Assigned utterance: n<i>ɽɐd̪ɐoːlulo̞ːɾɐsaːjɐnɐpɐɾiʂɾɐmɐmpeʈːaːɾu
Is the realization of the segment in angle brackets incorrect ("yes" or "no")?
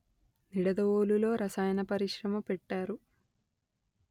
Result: no